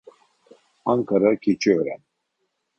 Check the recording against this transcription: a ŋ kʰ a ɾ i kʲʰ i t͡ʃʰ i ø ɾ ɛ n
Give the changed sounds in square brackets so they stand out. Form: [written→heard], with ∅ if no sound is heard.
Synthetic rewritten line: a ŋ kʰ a ɾ [i→a] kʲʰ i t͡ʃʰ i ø ɾ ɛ n